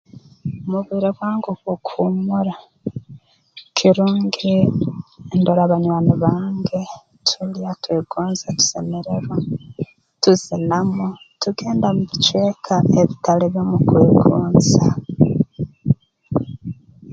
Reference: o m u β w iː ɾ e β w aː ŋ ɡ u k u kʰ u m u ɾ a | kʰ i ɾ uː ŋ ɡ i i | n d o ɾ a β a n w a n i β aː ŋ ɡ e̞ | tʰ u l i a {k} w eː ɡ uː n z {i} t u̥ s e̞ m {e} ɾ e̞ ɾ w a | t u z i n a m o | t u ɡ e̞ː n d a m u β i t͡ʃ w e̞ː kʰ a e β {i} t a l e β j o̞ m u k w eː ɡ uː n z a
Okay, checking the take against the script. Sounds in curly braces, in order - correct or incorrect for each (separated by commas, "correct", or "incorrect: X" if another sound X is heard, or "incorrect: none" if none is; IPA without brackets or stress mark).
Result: incorrect: t, incorrect: a, correct, correct